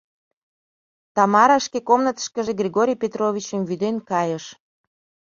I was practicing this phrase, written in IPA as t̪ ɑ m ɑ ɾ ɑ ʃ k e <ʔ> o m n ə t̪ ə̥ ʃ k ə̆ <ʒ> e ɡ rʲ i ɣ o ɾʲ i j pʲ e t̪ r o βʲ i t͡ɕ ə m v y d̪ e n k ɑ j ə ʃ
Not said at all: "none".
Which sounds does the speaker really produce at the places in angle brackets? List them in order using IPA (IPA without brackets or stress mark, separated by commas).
k, ʒ